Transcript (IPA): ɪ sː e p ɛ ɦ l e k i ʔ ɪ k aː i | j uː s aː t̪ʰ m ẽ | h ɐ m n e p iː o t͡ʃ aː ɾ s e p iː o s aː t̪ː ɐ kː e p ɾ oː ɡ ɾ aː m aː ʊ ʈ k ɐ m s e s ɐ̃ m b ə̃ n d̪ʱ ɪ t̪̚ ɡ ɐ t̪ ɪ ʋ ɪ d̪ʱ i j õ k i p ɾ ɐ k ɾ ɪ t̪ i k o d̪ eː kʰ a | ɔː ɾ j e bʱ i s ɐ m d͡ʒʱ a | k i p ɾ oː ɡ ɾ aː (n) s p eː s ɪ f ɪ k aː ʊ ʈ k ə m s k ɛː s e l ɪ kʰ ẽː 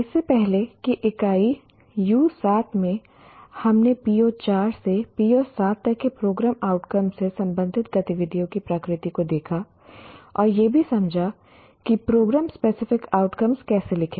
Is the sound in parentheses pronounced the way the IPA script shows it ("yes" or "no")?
no